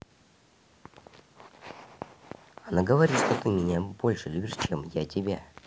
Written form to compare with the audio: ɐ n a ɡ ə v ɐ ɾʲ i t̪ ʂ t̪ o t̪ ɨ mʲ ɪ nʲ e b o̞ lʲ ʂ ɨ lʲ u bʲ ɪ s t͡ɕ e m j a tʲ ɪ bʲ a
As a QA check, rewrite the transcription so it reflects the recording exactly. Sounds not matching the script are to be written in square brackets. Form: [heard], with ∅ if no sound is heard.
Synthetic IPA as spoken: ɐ n a ɡ ə v ɐ ɾʲ i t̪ ʂ t̪ o t̪ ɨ mʲ ɪ nʲ [a] b o̞ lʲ ʂ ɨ lʲ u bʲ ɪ [ʂ] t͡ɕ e m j a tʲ ɪ bʲ a